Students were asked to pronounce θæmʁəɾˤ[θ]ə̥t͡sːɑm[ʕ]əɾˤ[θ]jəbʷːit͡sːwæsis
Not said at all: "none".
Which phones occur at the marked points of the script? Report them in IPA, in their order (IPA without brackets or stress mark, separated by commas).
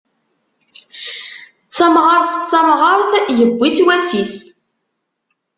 θ, ʁ, θ